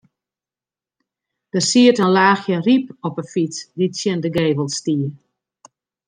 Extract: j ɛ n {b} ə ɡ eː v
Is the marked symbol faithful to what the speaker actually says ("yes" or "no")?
no